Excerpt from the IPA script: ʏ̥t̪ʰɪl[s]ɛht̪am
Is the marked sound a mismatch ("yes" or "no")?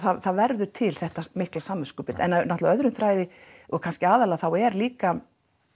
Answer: yes